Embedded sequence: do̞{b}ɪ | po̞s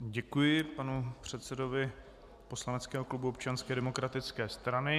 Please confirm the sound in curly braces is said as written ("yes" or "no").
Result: no